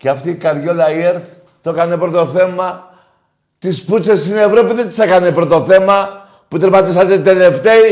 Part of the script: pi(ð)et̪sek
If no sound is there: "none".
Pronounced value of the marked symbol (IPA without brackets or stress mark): ð